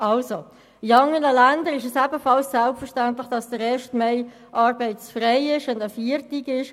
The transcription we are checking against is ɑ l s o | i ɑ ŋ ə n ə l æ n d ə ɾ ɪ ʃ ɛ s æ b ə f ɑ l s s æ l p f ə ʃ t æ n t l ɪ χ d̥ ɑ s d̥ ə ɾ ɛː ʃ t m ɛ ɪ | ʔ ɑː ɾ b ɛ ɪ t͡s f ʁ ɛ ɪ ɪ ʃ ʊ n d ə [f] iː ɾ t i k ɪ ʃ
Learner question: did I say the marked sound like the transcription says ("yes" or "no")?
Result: yes